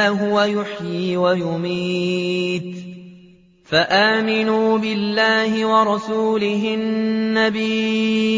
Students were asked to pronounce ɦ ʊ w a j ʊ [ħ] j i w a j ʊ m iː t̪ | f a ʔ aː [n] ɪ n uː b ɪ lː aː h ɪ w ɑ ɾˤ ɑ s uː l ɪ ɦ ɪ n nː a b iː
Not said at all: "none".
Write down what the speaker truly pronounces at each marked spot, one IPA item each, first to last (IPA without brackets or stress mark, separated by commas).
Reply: ħ, m